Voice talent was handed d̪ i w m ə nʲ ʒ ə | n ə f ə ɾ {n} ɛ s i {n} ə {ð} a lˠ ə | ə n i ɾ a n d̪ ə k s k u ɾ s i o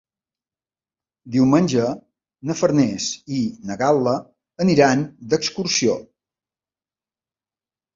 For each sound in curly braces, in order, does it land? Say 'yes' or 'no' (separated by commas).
yes, yes, no